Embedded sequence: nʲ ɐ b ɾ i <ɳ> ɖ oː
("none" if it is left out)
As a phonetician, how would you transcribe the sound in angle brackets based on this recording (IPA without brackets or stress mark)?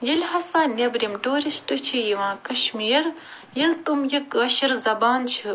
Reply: m